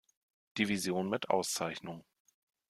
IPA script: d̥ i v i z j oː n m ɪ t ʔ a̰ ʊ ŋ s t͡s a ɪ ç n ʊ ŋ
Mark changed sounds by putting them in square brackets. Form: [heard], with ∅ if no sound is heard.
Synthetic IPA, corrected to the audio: d̥ i v i z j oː n m ɪ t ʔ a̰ ʊ [∅] s t͡s a ɪ ç n ʊ ŋ